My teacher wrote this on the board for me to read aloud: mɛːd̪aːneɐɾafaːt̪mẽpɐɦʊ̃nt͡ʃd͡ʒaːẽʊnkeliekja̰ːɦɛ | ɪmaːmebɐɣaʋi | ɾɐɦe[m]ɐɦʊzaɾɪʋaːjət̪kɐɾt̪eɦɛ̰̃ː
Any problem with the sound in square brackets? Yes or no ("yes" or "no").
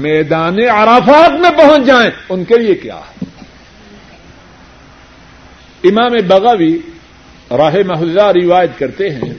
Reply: no